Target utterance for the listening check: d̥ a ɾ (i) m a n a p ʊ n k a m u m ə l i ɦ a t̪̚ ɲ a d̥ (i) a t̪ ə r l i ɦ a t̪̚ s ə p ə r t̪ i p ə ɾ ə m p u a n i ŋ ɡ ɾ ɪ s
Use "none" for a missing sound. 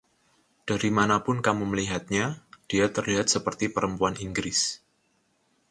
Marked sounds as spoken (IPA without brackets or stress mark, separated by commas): i, i